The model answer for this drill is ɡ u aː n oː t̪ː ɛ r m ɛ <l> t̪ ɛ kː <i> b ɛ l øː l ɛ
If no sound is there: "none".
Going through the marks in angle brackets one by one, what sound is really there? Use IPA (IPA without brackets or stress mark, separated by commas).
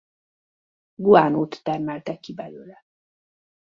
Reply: l, i